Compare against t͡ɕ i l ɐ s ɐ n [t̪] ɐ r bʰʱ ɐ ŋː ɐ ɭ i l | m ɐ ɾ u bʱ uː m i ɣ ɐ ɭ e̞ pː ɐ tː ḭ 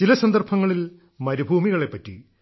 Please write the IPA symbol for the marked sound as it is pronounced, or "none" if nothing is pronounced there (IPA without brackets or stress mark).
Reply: d̪